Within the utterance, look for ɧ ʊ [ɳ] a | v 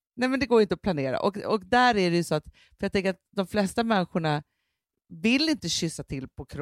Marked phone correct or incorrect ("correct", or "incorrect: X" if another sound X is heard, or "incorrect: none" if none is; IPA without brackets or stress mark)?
correct